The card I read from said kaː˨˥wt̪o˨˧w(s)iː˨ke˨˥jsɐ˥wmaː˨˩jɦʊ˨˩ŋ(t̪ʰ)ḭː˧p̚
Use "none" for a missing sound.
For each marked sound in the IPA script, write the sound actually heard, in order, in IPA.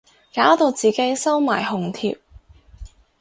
t͡s, t̪ʰ

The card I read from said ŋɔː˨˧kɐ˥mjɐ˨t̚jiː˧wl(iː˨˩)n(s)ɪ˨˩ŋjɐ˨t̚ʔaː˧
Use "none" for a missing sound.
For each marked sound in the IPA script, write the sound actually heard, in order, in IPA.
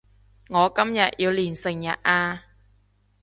iː˨˩, s

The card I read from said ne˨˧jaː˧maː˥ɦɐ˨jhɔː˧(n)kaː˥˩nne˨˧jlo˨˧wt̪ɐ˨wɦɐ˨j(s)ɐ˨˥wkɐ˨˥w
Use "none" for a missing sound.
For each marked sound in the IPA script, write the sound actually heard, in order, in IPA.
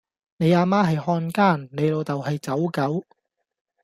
n, t͡s

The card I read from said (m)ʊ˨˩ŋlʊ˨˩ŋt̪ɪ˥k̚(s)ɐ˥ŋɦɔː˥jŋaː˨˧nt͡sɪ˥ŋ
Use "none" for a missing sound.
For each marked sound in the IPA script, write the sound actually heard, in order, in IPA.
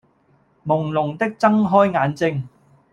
m, t͡s

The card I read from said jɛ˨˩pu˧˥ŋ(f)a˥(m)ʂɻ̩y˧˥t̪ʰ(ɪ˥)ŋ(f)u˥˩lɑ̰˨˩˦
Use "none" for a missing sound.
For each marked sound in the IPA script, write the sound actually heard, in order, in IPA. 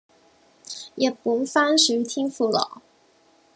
f, n, i˥, f

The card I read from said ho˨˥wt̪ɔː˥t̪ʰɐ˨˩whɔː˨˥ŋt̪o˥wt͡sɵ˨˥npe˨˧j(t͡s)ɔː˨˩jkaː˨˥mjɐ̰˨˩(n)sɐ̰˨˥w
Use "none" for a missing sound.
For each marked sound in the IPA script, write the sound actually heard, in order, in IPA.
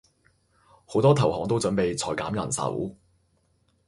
t͡sʰ, n

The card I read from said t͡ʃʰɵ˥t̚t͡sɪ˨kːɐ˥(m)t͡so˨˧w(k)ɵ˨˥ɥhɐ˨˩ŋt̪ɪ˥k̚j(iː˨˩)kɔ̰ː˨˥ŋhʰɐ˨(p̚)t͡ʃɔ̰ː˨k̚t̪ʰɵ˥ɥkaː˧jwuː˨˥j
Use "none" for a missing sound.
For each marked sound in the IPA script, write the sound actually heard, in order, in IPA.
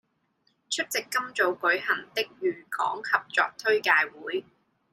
m, k, yː˨˩, p̚

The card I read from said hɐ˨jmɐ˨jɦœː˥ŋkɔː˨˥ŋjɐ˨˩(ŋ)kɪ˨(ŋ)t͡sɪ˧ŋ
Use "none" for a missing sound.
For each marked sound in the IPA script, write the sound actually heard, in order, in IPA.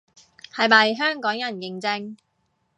n, ŋ

